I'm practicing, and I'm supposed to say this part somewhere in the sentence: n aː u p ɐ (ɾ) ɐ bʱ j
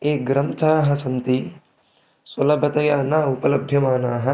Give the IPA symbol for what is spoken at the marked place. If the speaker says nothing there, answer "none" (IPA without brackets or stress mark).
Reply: l